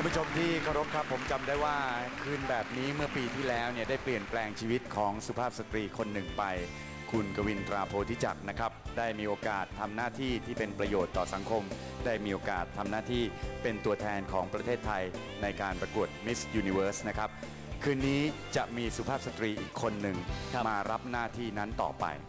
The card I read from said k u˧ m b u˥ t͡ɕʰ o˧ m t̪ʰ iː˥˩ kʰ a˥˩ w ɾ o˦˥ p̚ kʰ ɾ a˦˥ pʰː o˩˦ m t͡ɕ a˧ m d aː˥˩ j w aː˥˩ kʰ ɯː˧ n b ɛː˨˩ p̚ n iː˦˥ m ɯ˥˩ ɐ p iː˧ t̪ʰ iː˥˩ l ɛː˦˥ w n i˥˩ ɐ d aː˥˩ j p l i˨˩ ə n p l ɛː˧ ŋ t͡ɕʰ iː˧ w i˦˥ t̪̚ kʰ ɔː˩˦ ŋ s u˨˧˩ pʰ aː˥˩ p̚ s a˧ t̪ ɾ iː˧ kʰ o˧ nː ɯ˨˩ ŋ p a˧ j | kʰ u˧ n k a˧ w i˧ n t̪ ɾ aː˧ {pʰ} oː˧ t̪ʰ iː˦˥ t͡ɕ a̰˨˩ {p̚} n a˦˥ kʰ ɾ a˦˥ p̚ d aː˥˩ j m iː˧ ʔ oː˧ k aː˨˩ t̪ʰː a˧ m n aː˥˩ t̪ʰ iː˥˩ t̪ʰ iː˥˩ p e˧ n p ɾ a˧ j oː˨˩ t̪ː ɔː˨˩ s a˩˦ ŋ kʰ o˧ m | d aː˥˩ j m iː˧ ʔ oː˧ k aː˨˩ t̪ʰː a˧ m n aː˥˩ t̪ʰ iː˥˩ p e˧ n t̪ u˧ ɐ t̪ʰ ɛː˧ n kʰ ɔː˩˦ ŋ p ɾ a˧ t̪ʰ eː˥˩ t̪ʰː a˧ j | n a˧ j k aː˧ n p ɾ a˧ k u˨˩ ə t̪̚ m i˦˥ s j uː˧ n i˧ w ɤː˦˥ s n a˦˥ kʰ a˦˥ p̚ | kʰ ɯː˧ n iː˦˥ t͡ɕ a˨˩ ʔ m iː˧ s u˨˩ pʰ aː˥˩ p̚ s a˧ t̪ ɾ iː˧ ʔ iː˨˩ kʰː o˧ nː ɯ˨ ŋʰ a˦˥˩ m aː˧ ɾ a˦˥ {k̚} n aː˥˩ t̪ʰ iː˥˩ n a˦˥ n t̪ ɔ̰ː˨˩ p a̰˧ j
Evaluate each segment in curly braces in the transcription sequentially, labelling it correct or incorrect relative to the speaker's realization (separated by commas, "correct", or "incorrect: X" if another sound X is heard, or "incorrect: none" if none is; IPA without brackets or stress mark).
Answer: correct, incorrect: k̚, incorrect: p̚